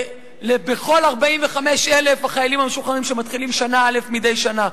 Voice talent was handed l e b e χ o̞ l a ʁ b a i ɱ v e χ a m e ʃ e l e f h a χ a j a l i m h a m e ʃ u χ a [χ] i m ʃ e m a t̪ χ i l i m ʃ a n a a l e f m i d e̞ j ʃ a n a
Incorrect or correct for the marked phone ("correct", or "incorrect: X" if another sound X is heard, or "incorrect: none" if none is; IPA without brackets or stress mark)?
incorrect: ʁ